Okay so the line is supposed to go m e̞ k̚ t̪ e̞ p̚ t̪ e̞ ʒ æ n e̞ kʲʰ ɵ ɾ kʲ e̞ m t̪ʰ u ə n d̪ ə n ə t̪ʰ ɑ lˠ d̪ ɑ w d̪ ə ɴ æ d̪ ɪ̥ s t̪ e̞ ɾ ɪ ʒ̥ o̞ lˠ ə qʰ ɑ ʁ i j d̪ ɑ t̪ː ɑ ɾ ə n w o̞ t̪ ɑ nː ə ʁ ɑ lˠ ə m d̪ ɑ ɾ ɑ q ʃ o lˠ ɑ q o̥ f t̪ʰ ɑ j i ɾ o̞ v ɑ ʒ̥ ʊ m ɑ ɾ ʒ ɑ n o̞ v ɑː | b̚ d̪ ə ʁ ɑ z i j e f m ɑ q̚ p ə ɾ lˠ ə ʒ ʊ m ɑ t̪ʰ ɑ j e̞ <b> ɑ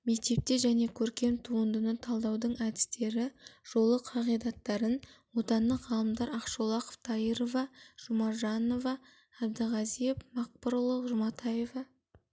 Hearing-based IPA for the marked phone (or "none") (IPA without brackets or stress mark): v